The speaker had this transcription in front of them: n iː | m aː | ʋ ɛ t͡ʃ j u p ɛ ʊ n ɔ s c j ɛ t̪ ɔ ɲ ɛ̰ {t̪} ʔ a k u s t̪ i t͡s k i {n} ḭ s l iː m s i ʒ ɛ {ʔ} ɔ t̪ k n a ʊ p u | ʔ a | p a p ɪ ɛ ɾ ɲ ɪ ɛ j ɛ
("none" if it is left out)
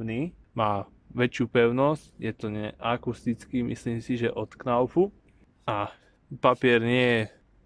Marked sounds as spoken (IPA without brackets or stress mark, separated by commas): none, m, ʔ